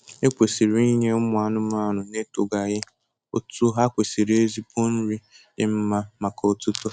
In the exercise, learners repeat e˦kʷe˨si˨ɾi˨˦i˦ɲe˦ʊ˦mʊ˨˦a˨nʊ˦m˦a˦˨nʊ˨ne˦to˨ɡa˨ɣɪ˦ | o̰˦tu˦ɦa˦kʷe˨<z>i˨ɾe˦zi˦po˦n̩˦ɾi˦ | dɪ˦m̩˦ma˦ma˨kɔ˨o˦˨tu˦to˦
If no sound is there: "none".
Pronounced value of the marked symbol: s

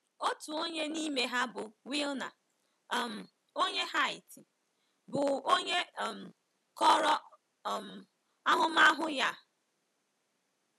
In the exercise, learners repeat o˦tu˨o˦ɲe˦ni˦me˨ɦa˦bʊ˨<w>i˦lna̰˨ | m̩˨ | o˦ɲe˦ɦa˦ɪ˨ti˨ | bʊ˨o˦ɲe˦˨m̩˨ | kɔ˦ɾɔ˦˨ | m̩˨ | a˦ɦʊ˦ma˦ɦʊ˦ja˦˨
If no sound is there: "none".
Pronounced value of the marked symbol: w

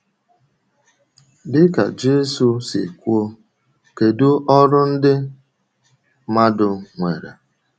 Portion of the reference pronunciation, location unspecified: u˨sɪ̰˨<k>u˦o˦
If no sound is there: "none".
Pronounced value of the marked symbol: k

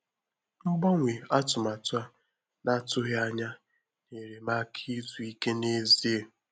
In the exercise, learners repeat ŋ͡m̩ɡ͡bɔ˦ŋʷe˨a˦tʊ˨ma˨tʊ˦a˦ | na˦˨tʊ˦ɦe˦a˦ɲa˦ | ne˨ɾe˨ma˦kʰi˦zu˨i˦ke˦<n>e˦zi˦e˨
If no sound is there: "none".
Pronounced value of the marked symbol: n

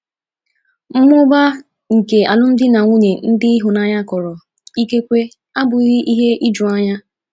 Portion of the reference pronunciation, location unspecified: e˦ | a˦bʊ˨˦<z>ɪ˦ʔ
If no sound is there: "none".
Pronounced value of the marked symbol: ɣ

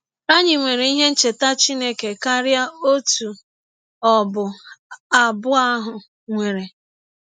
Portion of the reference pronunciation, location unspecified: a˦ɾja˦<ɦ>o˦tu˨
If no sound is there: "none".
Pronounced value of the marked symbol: none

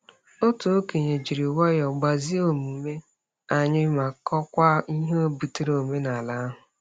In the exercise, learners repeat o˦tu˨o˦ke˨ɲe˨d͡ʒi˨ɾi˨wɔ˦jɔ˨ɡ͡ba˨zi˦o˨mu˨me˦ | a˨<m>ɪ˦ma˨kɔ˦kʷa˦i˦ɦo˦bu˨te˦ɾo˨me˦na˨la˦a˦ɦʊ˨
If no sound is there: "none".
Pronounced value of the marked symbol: ɲ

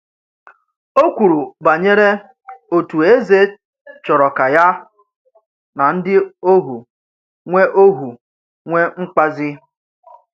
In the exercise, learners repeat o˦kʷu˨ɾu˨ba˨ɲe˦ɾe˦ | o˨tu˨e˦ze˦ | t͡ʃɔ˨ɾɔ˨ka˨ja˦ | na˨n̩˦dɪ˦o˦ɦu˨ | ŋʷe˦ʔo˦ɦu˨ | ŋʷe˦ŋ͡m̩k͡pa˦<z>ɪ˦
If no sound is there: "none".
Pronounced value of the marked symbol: z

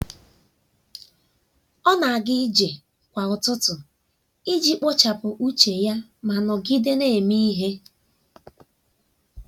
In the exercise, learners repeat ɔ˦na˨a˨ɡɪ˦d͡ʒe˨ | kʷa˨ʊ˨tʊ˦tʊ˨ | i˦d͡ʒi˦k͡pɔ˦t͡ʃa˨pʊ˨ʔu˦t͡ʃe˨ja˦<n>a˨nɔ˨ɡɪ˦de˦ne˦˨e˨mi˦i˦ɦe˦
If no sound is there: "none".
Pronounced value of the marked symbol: m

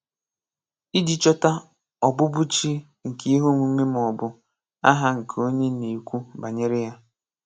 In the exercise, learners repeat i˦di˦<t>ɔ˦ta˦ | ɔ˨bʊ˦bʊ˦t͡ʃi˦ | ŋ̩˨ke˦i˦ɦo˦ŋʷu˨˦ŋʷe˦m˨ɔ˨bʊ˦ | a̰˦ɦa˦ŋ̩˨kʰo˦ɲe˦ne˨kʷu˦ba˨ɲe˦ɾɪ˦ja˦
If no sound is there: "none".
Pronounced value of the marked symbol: t͡ʃ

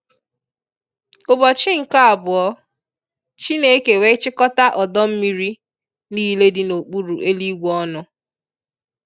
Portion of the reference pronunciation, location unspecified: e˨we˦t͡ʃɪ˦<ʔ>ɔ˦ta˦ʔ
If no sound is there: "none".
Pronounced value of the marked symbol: k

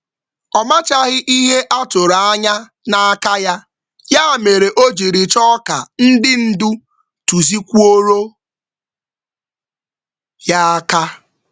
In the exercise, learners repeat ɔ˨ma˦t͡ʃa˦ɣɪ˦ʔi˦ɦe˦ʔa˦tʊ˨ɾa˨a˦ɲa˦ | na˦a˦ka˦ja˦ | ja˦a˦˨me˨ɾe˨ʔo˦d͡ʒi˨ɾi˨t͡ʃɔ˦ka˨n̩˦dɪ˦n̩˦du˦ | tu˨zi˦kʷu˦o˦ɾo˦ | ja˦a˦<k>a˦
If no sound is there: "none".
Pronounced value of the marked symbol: k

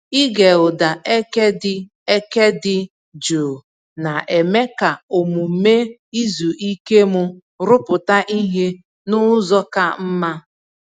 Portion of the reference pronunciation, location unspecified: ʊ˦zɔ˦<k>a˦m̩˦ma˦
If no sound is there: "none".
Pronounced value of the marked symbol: k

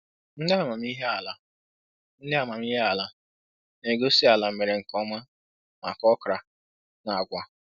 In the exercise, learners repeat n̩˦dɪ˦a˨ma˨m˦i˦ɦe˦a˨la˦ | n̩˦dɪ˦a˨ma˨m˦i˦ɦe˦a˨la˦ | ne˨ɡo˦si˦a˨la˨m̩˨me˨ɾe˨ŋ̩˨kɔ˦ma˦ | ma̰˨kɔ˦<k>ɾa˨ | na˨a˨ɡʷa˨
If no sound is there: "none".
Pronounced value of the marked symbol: k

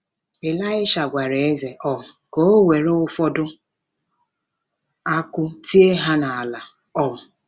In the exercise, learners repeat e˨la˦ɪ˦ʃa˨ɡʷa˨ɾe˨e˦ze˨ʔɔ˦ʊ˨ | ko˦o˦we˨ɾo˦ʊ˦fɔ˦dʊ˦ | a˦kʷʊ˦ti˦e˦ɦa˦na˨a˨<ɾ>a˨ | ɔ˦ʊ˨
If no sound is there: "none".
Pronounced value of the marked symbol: l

